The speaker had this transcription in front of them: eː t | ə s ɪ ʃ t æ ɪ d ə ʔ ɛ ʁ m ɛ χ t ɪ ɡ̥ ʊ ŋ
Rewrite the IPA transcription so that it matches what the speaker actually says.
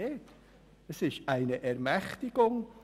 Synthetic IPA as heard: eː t | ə s ɪ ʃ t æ ɪ n ə ʔ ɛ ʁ m ɛ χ t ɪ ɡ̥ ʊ ŋ

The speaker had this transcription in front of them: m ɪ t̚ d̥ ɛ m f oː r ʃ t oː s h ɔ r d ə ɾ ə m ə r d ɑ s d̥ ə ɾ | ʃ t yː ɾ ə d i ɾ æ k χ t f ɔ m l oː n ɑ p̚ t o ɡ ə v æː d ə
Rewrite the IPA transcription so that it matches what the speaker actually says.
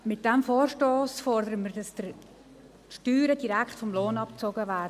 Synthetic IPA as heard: m ɪ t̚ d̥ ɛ m f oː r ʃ t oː s f ɔ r d ə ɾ ə m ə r d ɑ s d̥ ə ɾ | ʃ t yː ɾ ə d i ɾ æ k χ t f ɔ m l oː n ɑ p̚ t͡s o ɡ ə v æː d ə

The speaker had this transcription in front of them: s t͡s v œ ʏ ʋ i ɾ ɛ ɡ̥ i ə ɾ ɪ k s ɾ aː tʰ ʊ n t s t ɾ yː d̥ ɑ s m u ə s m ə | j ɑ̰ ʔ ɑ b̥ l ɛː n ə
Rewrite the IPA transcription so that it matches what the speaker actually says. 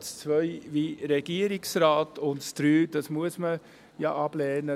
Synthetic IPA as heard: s t͡s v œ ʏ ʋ i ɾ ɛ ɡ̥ i ə ɾ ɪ k s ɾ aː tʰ ʊ n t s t ɾ yː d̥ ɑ s m u ə s m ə | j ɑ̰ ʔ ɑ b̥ l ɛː n ə

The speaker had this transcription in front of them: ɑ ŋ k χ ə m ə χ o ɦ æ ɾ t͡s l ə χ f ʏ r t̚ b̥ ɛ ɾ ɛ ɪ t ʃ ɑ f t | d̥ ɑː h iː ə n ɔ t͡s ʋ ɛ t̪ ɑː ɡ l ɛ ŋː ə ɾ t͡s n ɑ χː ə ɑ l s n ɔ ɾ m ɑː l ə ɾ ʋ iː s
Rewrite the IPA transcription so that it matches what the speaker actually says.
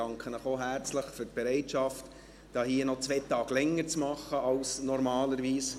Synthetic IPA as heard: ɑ ŋ k χ ə n ə χ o ɦ æ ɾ t͡s l ə χ f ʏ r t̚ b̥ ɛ ɾ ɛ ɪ t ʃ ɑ f t | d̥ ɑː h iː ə n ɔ t͡s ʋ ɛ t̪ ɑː ɡ l ɛ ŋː ə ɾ t͡s m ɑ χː ə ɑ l s n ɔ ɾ m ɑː l ə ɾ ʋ iː s

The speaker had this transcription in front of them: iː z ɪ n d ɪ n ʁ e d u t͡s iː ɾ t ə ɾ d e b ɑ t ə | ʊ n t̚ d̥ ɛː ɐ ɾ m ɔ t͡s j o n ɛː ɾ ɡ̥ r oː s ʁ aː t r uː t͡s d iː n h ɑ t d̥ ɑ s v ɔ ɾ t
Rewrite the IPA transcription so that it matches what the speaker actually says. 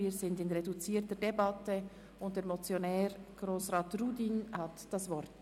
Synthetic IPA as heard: iː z ɪ n d ɪ n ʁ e d u t͡s iː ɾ t ə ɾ d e b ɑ t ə | ʊ n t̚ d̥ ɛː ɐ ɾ m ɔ t͡s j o n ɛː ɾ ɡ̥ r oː s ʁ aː t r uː d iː n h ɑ t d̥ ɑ s v ɔ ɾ t

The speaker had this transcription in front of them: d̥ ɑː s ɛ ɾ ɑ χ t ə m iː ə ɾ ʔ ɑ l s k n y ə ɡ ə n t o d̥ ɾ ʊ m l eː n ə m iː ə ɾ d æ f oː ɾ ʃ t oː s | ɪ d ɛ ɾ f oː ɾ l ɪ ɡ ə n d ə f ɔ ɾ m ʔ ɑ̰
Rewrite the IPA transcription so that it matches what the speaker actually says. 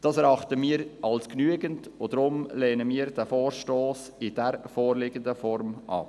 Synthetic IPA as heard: d̥ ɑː s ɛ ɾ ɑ χ t ə m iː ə ɾ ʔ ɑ l s k n y ə ɡ ə n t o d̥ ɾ ʊ m l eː n ə m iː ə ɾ d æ f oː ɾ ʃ t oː s | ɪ d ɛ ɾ f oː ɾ l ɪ ɡ ə n d ə f ɔ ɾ m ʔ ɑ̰

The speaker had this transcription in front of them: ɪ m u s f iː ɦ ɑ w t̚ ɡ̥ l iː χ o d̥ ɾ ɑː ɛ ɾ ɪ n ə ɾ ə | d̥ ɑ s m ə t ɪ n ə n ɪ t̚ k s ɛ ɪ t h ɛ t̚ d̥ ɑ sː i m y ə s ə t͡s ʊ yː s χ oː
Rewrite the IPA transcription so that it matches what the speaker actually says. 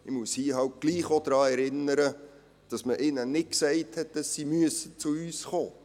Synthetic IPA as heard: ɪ m u s h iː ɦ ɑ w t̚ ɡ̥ l iː χ o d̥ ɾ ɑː ɛ ɾ ɪ n ə ɾ ə | d̥ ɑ s m ə ʔ ɪ n ə n ɪ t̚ k s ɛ ɪ t h ɛ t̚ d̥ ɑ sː i m y ə s ə t͡s ʊ yː s χ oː

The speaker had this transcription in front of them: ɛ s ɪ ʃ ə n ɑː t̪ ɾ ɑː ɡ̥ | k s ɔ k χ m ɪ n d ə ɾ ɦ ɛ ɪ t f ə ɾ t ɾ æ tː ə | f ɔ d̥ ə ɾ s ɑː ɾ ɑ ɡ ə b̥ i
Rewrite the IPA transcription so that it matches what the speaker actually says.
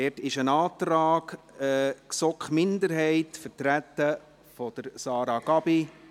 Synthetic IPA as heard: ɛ t ɪ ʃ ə n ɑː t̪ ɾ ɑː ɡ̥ | k s ɔ k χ m ɪ n d ə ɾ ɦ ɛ ɪ t f ə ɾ t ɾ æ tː ə | f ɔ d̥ ə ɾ s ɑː ɾ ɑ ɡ ɑ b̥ i

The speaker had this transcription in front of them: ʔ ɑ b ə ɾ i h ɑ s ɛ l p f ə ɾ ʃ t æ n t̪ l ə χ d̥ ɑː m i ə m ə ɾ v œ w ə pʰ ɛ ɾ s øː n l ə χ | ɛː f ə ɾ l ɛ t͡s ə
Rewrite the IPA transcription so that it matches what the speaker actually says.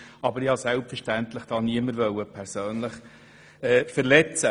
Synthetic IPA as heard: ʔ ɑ b ə ɾ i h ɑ s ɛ l p f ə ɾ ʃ t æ n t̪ l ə χ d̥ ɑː n i ə m ə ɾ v œ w ə pʰ ɛ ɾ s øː n l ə χ | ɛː f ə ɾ l ɛ t͡s ə

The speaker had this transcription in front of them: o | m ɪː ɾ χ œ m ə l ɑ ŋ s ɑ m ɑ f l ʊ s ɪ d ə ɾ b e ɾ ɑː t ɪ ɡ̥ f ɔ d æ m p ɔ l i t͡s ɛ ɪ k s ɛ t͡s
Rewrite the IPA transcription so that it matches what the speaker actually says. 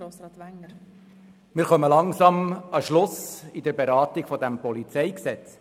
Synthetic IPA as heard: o | m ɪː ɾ χ œ m ə l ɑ ŋ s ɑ m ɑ ʃ l ʊ s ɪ d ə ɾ b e ɾ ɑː t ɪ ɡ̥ f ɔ d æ m p ɔ l i t͡s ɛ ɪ k s ɛ t͡s

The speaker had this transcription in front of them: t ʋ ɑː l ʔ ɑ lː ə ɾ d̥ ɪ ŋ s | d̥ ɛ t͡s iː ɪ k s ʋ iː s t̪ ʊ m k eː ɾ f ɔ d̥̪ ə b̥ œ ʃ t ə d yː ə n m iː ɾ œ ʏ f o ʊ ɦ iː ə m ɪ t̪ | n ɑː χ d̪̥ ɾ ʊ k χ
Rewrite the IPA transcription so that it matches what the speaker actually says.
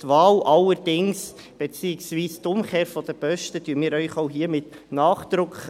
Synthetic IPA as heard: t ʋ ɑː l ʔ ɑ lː ə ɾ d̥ ɪ ŋ s | b̥ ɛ t͡s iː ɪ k s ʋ iː s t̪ ʊ m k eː ɾ f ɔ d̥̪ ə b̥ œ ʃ t ə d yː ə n m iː ɾ œ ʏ χ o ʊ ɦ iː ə m ɪ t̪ | n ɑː χ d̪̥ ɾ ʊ k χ

